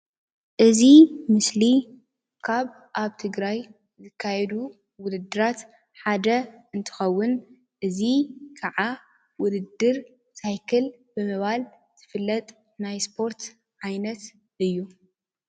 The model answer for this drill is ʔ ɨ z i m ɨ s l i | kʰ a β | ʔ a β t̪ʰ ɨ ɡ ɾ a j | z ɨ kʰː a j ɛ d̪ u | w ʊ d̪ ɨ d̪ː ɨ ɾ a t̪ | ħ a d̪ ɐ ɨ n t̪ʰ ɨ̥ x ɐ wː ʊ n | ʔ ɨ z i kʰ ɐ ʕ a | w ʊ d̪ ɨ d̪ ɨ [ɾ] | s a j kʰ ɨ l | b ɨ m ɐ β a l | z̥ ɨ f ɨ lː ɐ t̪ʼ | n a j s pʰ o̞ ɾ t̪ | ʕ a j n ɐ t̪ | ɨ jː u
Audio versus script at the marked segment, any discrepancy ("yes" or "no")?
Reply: no